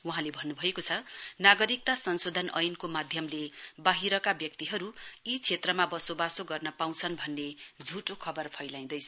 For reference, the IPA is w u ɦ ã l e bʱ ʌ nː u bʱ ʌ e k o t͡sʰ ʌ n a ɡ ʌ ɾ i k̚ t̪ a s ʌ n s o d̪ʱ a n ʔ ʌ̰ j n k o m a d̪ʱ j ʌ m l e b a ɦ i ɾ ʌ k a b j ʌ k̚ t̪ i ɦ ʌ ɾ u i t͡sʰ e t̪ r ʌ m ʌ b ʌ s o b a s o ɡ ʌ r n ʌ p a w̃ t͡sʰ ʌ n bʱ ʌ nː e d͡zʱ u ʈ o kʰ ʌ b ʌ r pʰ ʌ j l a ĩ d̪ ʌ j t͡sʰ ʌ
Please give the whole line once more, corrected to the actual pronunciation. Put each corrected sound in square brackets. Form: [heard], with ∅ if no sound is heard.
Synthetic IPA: w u ɦ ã l e bʱ ʌ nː u bʱ ʌ e k o t͡sʰ ʌ n a ɡ ʌ ɾ i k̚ t̪ a s ʌ n s o d̪ʱ [ʌ] n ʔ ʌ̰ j n k o m a d̪ʱ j ʌ m l e b a ɦ i ɾ ʌ k a b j ʌ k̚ t̪ i ɦ ʌ ɾ u i t͡sʰ e t̪ r ʌ m [a] b ʌ s o b a s o ɡ ʌ r n ʌ p a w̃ t͡sʰ ʌ n bʱ ʌ nː e d͡zʱ u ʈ o kʰ ʌ b ʌ r pʰ ʌ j l a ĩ d̪ ʌ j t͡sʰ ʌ